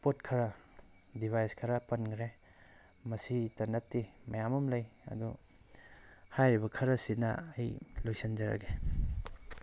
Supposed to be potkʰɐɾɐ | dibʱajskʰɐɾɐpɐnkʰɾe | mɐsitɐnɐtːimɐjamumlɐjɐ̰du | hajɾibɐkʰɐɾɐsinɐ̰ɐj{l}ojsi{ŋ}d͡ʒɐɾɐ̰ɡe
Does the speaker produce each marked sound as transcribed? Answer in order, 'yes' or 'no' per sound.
yes, no

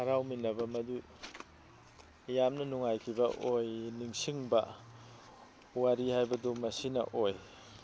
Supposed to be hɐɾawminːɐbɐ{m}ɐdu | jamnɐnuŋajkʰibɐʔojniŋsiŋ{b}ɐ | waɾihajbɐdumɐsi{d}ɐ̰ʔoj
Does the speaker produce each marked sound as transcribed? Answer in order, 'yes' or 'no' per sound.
yes, yes, no

